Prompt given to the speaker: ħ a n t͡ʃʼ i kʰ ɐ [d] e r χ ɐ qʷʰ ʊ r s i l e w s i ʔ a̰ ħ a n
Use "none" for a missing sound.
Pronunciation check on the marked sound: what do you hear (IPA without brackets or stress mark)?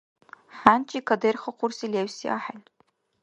d